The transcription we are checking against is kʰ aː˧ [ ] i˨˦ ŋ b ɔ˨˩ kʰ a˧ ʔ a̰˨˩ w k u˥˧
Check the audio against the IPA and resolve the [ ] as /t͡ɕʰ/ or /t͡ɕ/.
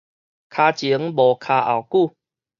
t͡ɕ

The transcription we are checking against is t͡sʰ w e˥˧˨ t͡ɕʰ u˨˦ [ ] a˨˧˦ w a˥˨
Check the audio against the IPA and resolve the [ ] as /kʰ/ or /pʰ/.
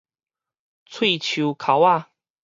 kʰ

